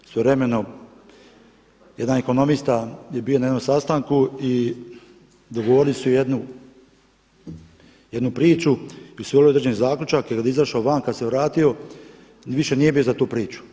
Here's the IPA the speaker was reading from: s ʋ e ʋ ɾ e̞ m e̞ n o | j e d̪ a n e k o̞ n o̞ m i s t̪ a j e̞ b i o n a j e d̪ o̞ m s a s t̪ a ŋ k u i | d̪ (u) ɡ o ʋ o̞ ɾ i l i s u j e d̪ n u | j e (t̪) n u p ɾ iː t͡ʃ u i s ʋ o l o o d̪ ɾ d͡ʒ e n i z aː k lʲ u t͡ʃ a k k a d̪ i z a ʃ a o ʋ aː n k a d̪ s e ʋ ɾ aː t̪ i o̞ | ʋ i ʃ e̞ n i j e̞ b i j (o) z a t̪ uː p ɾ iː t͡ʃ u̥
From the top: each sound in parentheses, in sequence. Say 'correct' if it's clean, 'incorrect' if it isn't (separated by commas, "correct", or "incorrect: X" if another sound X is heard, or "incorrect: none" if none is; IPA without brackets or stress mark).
incorrect: o, incorrect: d̪, correct